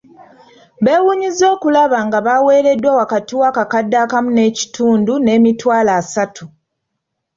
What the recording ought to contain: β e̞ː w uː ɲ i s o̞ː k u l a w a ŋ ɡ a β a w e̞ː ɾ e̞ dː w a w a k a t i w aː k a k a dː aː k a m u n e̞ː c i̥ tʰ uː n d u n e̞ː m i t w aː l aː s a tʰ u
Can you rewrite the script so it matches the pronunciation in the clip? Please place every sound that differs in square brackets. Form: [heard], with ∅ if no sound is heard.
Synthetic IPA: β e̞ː w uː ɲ i [z] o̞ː k u l a [β] a ŋ ɡ a β a w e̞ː ɾ e̞ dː w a w a k a t i w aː k a k a dː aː k a m u n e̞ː c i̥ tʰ uː n d u n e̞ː m i t w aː l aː s a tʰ u